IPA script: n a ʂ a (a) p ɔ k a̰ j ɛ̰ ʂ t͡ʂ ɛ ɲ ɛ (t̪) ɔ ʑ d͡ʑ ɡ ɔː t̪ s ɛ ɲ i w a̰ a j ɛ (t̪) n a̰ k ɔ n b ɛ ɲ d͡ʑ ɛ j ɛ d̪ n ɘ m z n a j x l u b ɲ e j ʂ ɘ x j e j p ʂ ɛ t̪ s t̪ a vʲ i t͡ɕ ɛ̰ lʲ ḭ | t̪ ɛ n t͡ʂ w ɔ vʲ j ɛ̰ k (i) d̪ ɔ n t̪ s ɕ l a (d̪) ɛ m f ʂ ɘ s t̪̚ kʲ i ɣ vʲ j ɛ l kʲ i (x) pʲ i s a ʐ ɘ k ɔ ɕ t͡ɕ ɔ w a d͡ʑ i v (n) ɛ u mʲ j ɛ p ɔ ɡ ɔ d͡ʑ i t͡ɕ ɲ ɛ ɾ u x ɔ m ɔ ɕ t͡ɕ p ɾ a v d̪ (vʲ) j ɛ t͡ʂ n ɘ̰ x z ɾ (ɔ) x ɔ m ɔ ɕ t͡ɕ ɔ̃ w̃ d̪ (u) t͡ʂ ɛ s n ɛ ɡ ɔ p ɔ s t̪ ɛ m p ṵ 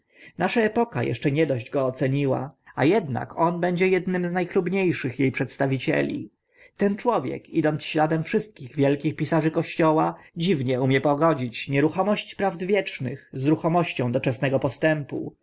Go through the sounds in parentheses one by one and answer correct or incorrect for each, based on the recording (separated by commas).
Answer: incorrect, incorrect, incorrect, correct, correct, correct, incorrect, correct, incorrect, incorrect